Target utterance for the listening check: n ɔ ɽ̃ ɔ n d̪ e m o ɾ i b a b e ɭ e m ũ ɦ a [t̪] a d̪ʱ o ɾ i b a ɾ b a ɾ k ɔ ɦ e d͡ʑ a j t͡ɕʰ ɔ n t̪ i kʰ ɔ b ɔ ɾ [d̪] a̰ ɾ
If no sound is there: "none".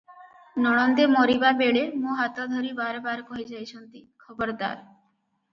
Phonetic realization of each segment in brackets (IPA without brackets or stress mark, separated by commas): t̪, d̪